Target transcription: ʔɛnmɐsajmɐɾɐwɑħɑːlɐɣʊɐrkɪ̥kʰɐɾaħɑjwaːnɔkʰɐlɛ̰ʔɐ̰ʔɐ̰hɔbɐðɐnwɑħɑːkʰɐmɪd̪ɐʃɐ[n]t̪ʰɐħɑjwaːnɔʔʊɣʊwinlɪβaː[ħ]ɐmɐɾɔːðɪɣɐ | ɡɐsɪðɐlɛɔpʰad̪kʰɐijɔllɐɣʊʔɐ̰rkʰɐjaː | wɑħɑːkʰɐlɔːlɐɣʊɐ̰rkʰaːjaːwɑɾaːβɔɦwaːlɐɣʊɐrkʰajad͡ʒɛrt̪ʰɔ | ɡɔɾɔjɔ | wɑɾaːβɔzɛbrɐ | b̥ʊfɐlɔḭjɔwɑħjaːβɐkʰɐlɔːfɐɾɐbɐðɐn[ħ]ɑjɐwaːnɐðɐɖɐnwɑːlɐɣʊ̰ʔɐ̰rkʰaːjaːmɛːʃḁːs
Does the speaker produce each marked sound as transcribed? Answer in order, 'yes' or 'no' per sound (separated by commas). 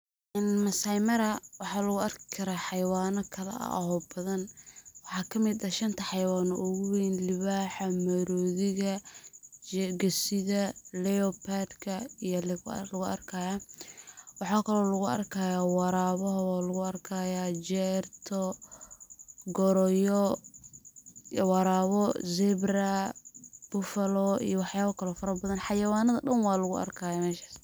yes, yes, yes